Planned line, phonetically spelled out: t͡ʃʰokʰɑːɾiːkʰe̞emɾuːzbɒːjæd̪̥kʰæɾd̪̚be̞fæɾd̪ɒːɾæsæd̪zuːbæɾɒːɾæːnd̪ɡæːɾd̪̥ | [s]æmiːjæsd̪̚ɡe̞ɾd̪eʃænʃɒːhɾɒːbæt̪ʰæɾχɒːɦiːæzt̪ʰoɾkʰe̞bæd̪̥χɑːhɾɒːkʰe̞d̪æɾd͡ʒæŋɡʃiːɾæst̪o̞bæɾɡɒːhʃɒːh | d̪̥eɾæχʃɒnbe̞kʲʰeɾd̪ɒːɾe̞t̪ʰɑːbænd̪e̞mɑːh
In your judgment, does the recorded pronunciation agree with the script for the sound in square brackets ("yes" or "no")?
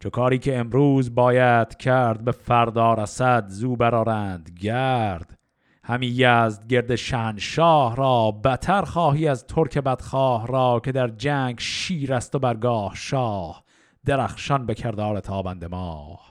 no